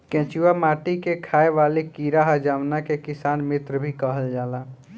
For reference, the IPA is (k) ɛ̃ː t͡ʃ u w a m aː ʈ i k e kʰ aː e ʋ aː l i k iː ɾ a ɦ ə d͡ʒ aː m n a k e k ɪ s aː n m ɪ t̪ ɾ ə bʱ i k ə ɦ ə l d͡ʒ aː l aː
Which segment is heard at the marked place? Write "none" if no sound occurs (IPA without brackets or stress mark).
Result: k